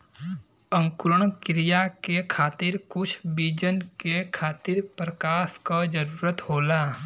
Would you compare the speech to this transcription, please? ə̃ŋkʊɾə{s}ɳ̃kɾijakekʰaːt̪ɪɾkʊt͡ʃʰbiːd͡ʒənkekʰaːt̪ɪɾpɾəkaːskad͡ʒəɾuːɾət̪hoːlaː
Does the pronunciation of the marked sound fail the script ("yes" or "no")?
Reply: yes